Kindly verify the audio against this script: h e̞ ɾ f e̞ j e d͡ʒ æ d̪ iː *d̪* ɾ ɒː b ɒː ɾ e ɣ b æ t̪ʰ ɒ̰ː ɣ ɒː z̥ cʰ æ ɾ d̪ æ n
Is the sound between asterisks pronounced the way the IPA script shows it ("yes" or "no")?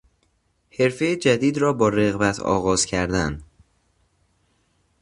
yes